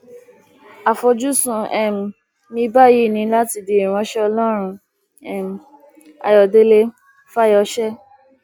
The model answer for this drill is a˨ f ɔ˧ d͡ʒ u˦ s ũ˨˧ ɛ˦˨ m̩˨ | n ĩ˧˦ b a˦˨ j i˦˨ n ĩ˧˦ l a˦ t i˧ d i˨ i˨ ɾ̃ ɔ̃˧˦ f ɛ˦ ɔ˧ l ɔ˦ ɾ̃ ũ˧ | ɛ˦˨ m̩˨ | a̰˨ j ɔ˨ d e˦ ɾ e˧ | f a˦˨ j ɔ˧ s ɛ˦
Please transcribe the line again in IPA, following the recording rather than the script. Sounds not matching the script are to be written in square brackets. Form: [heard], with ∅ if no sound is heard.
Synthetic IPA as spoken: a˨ f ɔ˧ d͡ʒ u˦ s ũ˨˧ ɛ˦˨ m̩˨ | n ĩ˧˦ b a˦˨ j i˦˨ n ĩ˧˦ l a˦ t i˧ d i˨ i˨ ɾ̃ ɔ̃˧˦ [ʃ] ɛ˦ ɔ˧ l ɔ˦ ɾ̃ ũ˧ | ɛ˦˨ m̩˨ | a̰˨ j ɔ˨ d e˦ [l] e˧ | f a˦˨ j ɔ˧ [ʃ] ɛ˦